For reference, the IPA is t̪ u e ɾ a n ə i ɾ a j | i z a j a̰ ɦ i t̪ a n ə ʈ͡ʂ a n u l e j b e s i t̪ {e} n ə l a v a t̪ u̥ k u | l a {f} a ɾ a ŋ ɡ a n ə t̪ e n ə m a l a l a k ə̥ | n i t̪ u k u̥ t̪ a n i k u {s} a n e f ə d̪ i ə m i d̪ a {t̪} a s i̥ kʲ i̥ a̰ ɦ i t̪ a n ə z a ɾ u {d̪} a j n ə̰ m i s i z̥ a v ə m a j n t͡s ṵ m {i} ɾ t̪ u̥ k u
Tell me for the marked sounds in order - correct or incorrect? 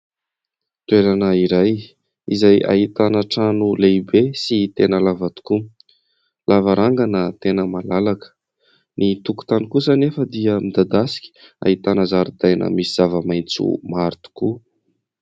correct, incorrect, correct, incorrect, correct, incorrect

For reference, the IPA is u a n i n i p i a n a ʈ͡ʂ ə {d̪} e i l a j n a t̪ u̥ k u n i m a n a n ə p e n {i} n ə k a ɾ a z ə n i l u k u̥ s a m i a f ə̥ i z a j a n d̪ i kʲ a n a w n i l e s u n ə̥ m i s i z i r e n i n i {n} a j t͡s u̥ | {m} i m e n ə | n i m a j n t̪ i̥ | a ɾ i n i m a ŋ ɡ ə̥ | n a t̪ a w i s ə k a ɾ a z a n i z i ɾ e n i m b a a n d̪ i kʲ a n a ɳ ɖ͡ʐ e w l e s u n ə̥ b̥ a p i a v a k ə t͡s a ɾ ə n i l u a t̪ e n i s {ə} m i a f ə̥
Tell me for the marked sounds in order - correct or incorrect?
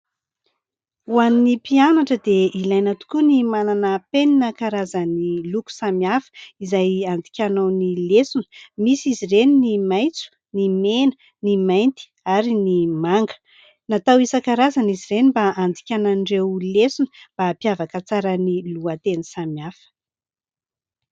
correct, correct, incorrect, incorrect, incorrect

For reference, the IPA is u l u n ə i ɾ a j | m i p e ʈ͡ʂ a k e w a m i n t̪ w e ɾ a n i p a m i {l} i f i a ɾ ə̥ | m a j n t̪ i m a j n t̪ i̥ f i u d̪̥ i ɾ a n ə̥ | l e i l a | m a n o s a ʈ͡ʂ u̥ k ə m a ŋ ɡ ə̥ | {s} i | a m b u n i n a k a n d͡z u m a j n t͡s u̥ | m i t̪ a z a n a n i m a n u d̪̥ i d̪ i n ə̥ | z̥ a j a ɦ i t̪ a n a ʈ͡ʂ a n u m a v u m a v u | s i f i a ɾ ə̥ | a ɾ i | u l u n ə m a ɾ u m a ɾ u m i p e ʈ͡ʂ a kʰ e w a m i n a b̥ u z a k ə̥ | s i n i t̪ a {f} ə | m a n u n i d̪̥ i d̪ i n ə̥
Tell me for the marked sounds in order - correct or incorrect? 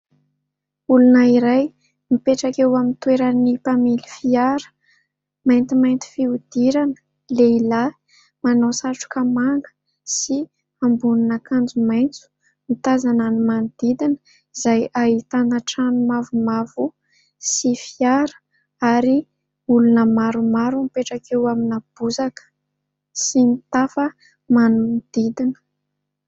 correct, correct, correct

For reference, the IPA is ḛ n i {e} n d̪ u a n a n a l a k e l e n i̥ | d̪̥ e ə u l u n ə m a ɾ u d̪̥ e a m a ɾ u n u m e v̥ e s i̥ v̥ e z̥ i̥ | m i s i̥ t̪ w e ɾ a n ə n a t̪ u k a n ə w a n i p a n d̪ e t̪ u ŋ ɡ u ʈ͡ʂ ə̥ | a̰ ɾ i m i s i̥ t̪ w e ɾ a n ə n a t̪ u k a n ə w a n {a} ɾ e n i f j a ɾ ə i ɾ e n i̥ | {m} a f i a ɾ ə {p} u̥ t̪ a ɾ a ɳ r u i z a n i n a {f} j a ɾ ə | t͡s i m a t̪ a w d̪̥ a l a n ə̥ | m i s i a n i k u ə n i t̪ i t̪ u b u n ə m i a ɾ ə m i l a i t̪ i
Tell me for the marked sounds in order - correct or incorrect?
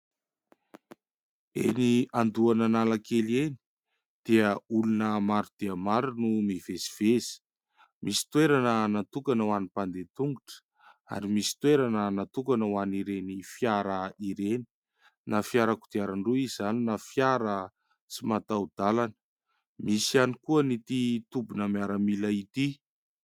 incorrect, incorrect, incorrect, incorrect, correct

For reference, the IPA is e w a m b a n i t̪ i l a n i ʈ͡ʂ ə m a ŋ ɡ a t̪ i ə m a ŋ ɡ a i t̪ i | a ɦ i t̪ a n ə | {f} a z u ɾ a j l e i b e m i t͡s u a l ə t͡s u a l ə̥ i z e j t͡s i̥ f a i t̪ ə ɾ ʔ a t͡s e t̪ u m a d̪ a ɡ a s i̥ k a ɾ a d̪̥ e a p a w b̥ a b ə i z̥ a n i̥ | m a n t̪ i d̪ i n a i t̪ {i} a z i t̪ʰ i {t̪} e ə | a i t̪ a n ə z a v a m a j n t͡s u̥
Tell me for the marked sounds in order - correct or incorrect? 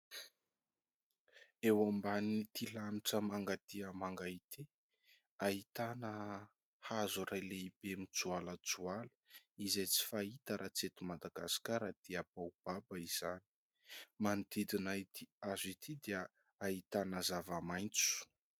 incorrect, correct, incorrect

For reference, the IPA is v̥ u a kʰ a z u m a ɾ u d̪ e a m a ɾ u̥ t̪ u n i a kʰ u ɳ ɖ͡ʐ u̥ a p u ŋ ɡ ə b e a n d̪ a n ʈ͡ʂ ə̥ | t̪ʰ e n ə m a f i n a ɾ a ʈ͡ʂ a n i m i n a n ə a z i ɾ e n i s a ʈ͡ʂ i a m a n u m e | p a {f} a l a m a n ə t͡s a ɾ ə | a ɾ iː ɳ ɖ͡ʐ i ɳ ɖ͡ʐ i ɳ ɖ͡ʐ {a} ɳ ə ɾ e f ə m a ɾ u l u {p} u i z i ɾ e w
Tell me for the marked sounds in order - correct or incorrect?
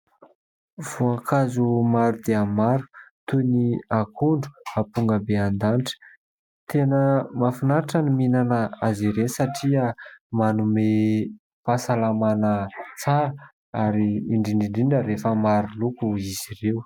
incorrect, incorrect, incorrect

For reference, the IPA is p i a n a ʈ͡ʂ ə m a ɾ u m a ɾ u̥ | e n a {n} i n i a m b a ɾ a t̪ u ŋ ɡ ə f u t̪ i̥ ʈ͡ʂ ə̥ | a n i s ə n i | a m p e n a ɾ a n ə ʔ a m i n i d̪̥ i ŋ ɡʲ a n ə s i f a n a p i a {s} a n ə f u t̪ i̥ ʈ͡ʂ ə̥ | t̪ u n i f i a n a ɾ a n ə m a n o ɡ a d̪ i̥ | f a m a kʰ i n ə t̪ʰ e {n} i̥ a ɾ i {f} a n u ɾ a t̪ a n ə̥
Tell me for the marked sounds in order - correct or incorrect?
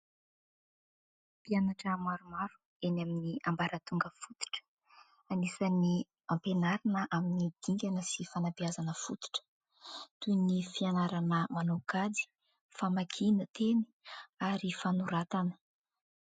incorrect, incorrect, correct, correct

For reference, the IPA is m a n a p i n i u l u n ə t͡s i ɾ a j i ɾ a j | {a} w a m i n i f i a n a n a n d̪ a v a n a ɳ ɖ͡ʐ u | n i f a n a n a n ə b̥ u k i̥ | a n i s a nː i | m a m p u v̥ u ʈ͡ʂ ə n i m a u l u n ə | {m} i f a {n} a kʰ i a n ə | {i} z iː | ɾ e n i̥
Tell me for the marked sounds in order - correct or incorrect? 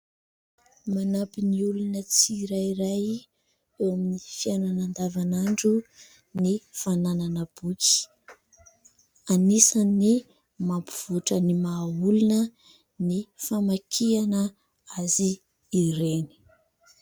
incorrect, incorrect, incorrect, incorrect

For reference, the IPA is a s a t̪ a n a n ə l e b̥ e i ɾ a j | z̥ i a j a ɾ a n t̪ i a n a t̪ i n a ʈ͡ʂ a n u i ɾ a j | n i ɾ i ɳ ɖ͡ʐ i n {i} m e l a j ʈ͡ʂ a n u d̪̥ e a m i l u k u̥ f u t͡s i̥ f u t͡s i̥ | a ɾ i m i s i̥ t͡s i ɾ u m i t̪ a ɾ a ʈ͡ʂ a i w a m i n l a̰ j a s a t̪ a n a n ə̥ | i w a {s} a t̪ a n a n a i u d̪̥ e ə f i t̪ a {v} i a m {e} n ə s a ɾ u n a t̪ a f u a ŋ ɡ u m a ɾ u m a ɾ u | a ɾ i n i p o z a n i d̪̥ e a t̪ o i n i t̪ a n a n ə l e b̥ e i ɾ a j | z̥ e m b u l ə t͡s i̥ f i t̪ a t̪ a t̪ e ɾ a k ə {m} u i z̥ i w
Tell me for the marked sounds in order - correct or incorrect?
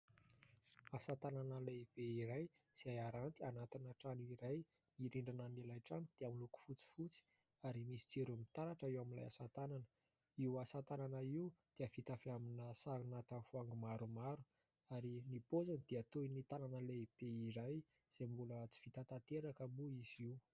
incorrect, correct, incorrect, incorrect, correct

